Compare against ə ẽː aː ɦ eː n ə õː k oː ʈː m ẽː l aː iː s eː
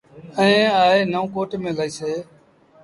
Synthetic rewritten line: ə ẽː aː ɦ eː n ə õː k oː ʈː m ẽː l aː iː s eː